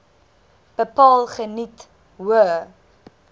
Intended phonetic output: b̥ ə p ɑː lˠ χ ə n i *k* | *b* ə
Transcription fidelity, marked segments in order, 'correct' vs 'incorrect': incorrect, incorrect

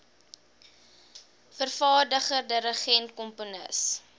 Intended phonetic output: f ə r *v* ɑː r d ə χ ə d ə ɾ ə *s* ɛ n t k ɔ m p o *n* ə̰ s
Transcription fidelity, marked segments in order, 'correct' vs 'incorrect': incorrect, incorrect, correct

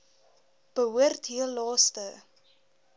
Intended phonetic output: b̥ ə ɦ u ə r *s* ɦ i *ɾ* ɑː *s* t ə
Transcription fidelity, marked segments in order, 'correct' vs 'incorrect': incorrect, incorrect, correct

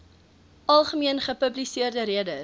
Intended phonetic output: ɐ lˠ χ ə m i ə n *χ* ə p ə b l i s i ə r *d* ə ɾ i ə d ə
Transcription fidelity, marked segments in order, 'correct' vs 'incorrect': correct, correct

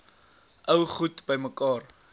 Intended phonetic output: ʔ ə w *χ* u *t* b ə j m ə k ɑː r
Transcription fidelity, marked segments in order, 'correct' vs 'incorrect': correct, correct

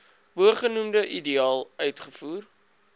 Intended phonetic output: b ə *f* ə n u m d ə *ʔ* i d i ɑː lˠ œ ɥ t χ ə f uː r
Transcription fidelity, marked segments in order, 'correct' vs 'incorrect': incorrect, correct

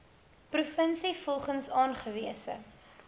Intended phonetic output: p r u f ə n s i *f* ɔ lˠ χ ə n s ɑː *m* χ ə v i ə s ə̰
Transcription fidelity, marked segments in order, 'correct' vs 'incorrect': correct, incorrect

